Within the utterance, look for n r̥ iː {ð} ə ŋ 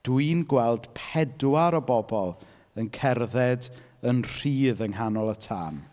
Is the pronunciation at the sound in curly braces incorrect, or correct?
correct